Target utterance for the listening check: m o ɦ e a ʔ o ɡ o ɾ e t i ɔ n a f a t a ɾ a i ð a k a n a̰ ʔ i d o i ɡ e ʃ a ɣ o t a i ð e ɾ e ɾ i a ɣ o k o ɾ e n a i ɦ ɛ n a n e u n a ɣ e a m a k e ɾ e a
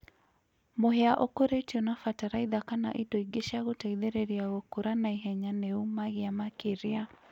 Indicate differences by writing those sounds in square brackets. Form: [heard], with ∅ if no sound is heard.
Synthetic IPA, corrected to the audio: m o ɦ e a ʔ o [k] o ɾ e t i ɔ n a f a t a ɾ a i ð a k a n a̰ ʔ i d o i ɡ e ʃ a ɣ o t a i ð e ɾ e ɾ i a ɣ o k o ɾ [a] n a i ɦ ɛ [ɲ] a n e u [m] a ɣ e a m a k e ɾ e a